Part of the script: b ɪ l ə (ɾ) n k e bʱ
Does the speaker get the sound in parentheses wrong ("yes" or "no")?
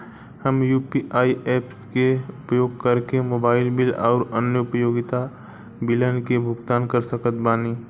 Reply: yes